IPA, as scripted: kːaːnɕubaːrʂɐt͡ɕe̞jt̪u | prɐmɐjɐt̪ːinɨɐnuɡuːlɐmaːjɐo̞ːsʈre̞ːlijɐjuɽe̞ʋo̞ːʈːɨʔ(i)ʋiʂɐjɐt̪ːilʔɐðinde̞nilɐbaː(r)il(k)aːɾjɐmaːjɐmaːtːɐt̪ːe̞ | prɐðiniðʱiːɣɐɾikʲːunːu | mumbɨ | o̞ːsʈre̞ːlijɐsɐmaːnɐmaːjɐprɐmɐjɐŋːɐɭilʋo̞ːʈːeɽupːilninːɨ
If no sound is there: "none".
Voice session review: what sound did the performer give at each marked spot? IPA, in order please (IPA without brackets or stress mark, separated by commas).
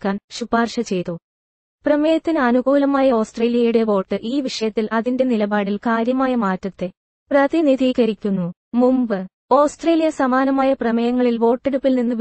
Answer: iː, ɽ, k